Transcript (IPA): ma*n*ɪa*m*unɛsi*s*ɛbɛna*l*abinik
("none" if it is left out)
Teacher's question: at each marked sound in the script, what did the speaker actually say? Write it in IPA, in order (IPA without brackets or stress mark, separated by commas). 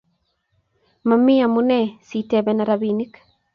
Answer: m, m, t, ɾ